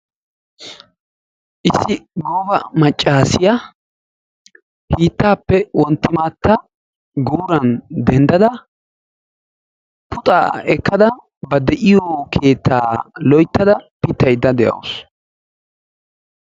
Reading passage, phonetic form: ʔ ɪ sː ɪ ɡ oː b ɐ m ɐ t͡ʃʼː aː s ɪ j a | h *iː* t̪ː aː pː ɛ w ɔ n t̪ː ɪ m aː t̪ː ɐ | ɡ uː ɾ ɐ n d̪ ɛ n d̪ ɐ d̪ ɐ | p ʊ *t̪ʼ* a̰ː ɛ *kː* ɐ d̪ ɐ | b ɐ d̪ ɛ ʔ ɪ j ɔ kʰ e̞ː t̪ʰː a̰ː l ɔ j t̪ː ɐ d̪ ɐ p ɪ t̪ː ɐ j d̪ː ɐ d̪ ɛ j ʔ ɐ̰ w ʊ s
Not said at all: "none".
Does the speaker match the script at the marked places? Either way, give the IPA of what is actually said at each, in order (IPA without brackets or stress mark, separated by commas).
iː, t̪ʼ, kː